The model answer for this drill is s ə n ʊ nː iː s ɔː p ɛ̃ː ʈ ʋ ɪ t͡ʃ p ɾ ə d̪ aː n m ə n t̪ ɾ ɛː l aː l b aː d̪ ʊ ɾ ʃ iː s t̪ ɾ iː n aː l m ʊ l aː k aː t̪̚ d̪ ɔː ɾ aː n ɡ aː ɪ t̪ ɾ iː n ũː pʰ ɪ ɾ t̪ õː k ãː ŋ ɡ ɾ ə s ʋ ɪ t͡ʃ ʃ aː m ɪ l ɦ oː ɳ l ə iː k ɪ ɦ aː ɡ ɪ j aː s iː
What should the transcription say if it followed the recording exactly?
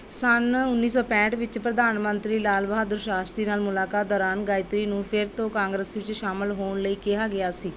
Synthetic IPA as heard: s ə n ʊ nː iː s ɔː p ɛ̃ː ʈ ʋ ɪ t͡ʃ p ɾ ə d̪ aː n m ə n t̪ ɾ iː l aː l b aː d̪ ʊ ɾ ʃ aː s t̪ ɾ iː n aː l m ʊ l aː k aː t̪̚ d̪ ɔː ɾ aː n ɡ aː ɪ t̪ ɾ iː n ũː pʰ ɪ ɾ t̪ õː k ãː ŋ ɡ ɾ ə s ʋ ɪ t͡ʃ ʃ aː m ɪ l ɦ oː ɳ l ə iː k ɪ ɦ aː ɡ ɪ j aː s iː